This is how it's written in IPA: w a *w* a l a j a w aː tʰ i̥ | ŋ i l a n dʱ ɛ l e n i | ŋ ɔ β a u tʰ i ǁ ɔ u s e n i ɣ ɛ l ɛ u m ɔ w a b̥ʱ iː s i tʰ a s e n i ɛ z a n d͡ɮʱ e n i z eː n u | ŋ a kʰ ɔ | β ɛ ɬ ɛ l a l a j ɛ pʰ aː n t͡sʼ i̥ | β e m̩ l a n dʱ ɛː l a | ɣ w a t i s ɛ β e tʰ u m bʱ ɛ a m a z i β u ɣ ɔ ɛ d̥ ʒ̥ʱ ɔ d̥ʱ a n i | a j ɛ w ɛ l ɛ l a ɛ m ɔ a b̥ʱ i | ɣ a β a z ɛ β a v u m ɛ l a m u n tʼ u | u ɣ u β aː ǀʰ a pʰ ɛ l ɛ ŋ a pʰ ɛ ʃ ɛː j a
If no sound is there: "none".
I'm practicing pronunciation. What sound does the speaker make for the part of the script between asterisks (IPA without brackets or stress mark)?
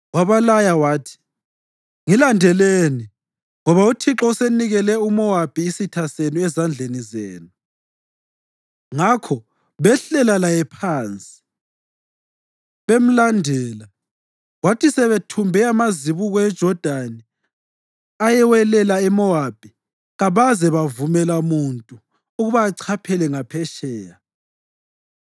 β